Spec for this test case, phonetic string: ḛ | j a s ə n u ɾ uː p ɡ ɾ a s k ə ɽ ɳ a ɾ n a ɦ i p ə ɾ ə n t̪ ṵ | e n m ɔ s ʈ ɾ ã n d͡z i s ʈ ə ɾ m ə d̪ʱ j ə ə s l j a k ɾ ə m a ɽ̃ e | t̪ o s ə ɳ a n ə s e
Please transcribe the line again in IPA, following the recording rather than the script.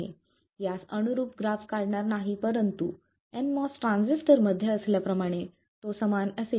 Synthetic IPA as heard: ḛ | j a s ə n u ɾ uː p ɡ ɾ a f k a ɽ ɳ a ɾ n a ɦ i p ə ɾ ə n t̪ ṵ | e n m ɔ s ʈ ɾ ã n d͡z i s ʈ ə ɾ m ə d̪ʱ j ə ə s l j a p ɾ ə m a ɽ̃ e | t̪ o s ə m a n ə s e